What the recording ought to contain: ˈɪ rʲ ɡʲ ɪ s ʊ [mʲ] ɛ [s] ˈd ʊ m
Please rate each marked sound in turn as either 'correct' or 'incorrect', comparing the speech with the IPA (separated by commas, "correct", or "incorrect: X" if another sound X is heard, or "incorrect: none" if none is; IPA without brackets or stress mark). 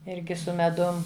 correct, incorrect: none